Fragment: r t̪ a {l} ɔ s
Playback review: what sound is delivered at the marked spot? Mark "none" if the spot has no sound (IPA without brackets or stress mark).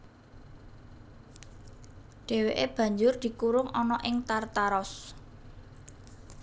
ɾ